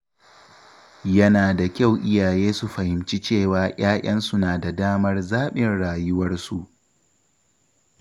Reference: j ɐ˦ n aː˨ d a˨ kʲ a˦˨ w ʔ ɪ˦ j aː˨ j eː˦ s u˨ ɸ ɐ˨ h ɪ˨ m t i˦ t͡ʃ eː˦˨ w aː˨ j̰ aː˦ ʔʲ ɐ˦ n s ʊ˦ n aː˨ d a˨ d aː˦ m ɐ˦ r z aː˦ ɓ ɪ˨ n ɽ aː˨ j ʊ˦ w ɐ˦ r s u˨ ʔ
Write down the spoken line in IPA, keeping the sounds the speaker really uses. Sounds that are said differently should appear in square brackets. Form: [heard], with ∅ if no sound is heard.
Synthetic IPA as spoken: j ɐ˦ n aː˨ d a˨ kʲ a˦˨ w ʔ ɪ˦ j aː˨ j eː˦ s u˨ ɸ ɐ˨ h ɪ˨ m [t͡ʃ] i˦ t͡ʃ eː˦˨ w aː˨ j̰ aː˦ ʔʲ ɐ˦ n s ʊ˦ n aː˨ d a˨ d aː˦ m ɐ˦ r z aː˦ ɓ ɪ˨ n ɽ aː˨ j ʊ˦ w ɐ˦ r s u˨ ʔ